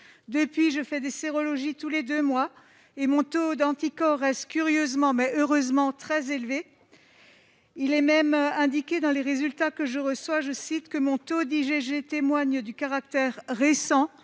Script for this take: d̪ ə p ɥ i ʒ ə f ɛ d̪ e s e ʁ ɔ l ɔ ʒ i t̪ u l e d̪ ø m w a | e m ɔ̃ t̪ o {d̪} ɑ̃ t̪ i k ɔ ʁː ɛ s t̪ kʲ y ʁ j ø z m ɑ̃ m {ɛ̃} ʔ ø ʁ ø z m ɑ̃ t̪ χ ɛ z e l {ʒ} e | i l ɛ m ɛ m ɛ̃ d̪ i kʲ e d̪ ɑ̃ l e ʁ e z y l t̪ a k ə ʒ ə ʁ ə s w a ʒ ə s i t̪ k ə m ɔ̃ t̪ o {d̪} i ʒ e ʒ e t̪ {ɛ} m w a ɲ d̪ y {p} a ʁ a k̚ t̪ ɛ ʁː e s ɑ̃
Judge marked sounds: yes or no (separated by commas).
yes, no, no, yes, no, no